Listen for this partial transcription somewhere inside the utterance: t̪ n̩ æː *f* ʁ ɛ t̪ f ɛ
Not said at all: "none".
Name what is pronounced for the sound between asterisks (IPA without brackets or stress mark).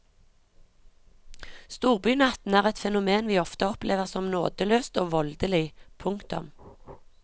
none